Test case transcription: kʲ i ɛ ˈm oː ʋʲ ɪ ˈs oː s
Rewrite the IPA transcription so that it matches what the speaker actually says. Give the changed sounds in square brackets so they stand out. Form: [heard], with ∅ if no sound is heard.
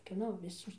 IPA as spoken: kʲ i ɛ [ˈn] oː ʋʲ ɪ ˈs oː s